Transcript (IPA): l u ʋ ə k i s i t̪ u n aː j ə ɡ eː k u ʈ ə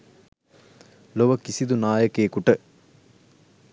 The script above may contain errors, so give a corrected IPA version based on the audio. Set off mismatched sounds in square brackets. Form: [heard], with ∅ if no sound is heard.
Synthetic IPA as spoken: l [o] ʋ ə k i s i [d̪] u n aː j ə [k] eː k u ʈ ə